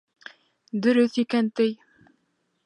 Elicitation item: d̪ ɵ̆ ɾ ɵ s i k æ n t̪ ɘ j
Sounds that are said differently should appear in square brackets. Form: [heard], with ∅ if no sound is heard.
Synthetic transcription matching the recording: d̪ ɵ̆ ɾ ɵ [θ] i k æ n t̪ ɘ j